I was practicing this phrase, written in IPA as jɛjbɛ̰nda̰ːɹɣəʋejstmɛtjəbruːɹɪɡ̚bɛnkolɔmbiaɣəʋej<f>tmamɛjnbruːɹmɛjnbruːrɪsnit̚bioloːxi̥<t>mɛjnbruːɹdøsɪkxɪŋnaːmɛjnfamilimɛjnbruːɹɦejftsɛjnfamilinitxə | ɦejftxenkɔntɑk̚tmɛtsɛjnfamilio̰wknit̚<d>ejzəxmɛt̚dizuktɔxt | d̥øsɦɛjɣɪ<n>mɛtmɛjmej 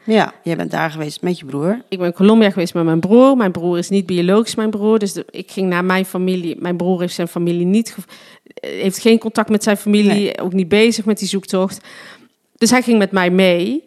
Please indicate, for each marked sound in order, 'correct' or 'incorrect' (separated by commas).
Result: incorrect, incorrect, incorrect, incorrect